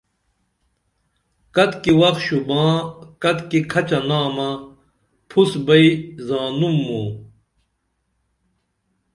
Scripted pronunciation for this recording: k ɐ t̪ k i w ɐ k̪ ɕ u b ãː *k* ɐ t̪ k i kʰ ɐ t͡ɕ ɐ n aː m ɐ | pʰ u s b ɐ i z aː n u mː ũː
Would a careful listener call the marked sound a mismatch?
no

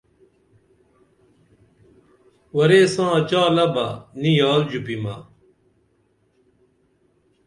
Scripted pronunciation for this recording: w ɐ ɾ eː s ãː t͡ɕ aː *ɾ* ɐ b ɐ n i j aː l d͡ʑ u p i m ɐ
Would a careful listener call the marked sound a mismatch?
yes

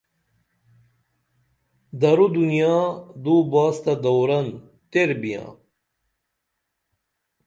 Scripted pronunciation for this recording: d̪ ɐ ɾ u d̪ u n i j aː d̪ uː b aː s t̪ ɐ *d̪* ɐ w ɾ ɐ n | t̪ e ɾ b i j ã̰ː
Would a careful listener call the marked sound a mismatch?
no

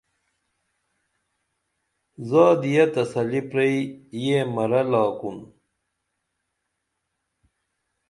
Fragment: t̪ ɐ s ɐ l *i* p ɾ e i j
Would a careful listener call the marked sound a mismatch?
no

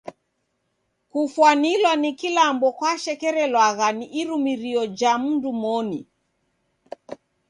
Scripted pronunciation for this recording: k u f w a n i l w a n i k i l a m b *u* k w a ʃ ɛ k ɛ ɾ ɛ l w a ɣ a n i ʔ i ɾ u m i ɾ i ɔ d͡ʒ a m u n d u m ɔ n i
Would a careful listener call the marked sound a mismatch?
yes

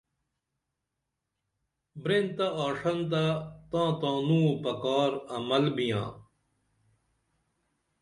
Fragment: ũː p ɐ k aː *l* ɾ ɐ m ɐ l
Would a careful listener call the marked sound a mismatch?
yes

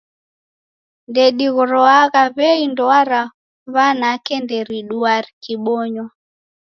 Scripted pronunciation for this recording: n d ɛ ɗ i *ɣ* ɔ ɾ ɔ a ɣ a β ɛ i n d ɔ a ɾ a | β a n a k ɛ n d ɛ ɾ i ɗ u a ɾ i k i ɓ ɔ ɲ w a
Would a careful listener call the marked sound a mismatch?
no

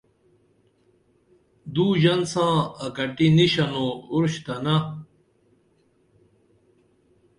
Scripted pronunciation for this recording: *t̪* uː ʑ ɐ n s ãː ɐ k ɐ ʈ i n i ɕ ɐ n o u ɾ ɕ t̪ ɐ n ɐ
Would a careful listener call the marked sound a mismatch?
yes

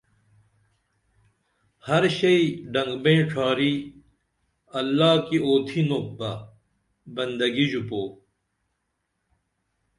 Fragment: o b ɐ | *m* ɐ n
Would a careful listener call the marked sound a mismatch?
yes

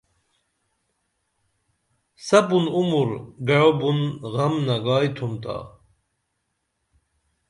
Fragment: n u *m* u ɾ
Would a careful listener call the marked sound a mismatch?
no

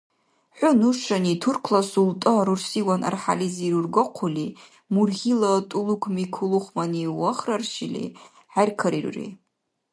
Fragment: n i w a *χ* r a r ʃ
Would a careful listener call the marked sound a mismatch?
no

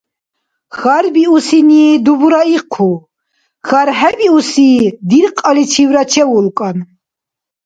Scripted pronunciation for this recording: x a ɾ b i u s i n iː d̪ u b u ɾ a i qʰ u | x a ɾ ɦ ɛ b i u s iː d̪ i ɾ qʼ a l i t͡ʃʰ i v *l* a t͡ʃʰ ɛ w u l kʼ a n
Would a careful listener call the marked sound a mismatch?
yes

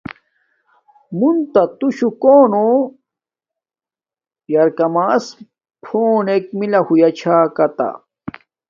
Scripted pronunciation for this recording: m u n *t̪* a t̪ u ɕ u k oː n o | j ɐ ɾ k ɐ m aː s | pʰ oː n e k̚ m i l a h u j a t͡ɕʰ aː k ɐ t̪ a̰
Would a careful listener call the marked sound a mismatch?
no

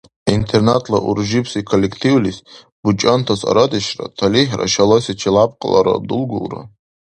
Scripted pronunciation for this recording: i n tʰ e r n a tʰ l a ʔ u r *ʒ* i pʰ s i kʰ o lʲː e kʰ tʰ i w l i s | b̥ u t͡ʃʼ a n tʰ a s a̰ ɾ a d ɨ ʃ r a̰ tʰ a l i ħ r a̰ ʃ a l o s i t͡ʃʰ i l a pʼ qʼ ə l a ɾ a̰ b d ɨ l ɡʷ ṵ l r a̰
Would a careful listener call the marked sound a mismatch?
no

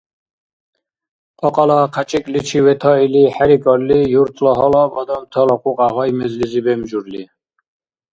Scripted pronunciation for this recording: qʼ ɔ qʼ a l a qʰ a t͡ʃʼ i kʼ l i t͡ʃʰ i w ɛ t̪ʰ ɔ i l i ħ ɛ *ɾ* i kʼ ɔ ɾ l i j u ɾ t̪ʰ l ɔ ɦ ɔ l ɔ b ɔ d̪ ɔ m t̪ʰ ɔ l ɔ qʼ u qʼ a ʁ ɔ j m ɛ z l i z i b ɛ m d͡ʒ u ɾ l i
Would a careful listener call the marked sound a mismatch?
no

